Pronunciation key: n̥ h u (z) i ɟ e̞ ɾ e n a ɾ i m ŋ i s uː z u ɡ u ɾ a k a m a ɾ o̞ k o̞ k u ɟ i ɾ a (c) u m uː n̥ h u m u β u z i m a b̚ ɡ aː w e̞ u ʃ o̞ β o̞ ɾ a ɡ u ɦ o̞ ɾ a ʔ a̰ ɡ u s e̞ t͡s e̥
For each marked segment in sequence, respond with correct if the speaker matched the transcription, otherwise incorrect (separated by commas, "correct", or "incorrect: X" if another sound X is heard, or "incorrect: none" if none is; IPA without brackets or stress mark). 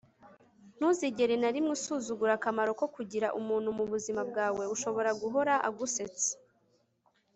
correct, incorrect: ʔ